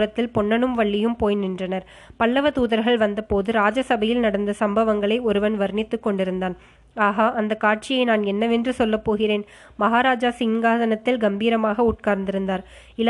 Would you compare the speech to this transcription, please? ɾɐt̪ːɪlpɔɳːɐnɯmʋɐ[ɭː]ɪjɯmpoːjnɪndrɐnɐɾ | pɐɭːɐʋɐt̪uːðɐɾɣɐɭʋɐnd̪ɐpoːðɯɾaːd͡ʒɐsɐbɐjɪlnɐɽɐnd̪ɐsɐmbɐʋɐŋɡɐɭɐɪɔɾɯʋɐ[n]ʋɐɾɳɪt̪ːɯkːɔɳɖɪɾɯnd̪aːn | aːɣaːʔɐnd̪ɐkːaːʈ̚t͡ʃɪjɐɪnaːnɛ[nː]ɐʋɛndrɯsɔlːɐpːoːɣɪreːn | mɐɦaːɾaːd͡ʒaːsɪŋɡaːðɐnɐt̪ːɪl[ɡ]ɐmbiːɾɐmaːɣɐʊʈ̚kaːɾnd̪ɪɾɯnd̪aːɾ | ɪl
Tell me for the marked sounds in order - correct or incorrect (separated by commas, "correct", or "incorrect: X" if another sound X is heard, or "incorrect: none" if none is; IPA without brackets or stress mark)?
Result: correct, correct, correct, correct